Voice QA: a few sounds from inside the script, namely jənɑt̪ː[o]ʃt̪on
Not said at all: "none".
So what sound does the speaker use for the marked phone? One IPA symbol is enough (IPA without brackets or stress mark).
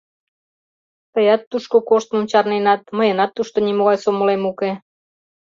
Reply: u